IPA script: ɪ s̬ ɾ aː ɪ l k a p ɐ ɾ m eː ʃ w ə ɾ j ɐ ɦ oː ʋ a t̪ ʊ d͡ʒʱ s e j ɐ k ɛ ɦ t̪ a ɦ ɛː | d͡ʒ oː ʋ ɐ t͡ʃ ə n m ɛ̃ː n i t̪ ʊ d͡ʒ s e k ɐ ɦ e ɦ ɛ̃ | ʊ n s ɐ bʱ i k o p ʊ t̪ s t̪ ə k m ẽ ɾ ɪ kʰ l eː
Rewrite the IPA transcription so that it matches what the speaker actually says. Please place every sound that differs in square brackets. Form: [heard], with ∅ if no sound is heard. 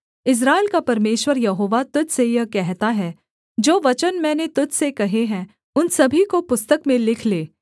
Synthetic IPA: ɪ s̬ ɾ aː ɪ l k a p ɐ ɾ m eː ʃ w ə ɾ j ɐ ɦ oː ʋ a t̪ ʊ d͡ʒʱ s e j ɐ k ɛ ɦ t̪ a ɦ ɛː | d͡ʒ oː ʋ ɐ t͡ʃ ə n m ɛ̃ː n [e] t̪ ʊ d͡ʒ s e k ɐ ɦ e ɦ ɛ̃ | ʊ n s ɐ bʱ i k o p ʊ [∅] s t̪ ə k m ẽ [l] ɪ kʰ l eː